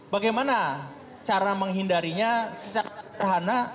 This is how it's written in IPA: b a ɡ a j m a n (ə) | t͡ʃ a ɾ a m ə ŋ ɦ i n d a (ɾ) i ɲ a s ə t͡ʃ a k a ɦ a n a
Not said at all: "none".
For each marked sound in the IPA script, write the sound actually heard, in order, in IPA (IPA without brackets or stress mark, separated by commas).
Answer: a, ɾ